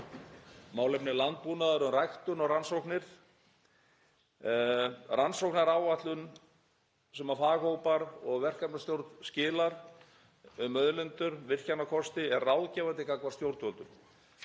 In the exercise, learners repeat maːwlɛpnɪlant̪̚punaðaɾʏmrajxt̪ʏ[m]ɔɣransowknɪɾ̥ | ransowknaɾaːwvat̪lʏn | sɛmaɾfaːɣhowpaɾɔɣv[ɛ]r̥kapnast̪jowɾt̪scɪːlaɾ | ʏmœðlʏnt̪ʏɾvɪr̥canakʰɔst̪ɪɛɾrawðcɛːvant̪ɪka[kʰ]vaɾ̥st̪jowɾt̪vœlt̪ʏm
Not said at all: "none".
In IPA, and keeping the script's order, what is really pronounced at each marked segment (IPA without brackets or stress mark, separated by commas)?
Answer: n, ɛ, k